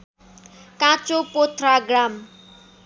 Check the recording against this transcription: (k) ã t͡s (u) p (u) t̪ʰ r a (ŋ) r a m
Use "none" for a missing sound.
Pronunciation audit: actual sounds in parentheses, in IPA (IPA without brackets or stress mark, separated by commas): k, o, o, ɡ